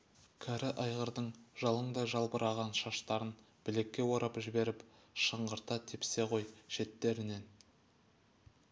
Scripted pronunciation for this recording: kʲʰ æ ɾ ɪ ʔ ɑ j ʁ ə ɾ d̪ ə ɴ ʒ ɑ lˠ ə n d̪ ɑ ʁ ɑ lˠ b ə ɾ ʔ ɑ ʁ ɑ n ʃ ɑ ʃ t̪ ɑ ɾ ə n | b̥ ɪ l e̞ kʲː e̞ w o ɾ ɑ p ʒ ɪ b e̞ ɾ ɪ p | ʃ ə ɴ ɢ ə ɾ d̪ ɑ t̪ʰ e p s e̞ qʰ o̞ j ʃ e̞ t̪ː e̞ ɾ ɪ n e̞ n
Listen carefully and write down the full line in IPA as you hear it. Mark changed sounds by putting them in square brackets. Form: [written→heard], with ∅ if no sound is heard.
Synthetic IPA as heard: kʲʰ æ ɾ ɪ ʔ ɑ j ʁ ə ɾ d̪ ə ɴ ʒ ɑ lˠ ə [n→ɴ] d̪ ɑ [ʁ→ʒ] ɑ lˠ b ə ɾ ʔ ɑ ʁ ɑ n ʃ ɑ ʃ t̪ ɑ ɾ ə n | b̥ ɪ l e̞ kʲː e̞ w o ɾ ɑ p ʒ ɪ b e̞ ɾ ɪ p | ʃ ə ɴ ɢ ə ɾ [d̪→t̪] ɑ t̪ʰ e p s e̞ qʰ o̞ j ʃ e̞ t̪ː e̞ ɾ ɪ n e̞ n

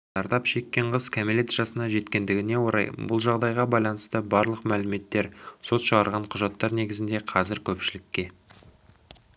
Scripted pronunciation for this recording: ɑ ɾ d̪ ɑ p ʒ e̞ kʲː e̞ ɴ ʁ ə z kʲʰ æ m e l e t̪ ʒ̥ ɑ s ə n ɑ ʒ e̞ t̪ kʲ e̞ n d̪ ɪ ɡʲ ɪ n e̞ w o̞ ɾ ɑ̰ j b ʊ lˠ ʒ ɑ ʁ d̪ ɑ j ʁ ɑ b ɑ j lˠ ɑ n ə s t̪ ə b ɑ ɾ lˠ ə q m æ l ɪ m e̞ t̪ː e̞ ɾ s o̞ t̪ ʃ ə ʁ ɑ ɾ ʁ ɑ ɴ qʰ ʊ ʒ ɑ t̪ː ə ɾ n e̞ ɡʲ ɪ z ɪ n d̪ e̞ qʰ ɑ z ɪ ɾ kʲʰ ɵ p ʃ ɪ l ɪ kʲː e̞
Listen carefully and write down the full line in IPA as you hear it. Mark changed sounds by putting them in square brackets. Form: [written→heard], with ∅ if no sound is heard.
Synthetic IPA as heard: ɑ ɾ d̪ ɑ p [ʒ→ʃ] e̞ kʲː e̞ ɴ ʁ ə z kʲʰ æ m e l e t̪ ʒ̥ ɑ s ə n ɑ ʒ e̞ t̪ kʲ e̞ n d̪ ɪ ɡʲ ɪ n e̞ w o̞ ɾ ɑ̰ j b ʊ lˠ ʒ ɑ ʁ d̪ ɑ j ʁ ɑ b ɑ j lˠ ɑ n ə s t̪ ə b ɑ ɾ lˠ ə q m æ l ɪ m e̞ t̪ː e̞ ɾ s o̞ t̪ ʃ ə ʁ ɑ ɾ ʁ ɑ ɴ qʰ ʊ ʒ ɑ t̪ː [ə→ɑ] ɾ n e̞ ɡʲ ɪ z ɪ n d̪ e̞ qʰ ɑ z ɪ ɾ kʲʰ ɵ p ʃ ɪ l ɪ kʲː e̞

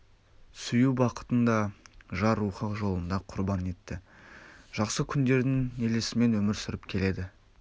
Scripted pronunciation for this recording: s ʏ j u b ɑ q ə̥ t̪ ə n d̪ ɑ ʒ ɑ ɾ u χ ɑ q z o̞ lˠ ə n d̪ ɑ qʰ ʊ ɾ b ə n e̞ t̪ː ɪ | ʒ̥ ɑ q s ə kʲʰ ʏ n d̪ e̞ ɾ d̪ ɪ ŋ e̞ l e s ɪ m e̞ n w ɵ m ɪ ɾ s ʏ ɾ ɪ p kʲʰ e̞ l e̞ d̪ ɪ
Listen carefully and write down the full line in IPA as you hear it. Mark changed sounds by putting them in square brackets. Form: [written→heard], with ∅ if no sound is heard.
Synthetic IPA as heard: s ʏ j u b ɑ q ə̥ t̪ ə n d̪ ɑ ʒ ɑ ɾ u χ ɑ q [z→ʒ] o̞ lˠ ə n d̪ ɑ qʰ ʊ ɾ b [ə→ɑ] n e̞ t̪ː ɪ | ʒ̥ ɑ q s ə kʲʰ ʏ n d̪ e̞ ɾ d̪ ɪ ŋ e̞ l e s ɪ m e̞ n w ɵ m ɪ ɾ s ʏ ɾ ɪ p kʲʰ e̞ l e̞ d̪ ɪ

